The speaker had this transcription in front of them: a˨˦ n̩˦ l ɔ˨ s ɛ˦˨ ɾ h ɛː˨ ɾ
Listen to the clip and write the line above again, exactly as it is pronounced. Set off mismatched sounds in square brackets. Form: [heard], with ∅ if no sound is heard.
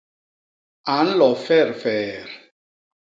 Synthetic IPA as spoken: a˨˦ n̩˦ l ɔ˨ [f] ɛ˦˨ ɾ [f] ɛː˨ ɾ